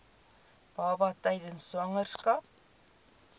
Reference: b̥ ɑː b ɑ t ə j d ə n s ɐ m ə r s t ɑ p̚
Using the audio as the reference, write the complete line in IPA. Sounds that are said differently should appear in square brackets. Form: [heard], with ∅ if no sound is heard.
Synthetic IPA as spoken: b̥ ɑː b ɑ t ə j d ə n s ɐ [ŋ] ə r s [k] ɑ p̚